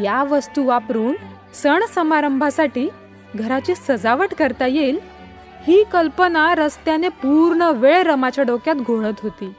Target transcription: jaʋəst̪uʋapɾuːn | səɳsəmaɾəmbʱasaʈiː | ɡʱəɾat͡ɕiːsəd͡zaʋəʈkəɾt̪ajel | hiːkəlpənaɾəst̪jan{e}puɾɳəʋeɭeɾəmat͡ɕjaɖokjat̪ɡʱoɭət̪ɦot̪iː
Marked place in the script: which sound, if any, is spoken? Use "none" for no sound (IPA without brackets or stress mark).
e